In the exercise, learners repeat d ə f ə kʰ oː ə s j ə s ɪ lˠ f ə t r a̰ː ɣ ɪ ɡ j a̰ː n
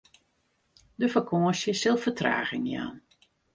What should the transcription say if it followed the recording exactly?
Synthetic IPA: d ə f ə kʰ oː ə s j ə s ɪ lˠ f ə t r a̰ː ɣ ɪ ŋ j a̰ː n